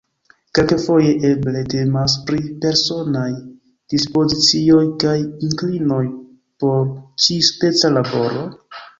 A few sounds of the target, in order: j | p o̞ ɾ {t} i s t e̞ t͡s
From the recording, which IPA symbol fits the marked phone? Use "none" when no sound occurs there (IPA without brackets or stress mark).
t͡ʃ